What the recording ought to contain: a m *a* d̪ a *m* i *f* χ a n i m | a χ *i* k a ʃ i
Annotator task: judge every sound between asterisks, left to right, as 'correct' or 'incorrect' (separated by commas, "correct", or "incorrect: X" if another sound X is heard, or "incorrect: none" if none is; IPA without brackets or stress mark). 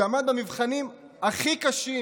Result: correct, correct, incorrect: v, correct